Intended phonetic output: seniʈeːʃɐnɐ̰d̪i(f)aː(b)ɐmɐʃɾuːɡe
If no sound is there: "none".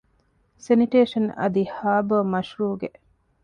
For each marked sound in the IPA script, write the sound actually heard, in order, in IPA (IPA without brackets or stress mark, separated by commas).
h, b